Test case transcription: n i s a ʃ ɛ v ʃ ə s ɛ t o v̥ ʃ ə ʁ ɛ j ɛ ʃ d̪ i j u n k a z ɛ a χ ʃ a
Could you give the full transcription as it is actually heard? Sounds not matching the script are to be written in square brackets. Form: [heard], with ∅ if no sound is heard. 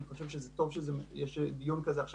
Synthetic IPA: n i [χ] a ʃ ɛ v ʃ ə [z] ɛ t o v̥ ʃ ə [z] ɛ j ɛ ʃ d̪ i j u n k a z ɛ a χ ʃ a